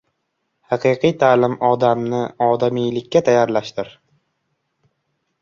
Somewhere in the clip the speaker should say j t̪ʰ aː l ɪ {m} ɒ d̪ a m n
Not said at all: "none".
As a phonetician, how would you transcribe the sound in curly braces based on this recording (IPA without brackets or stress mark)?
m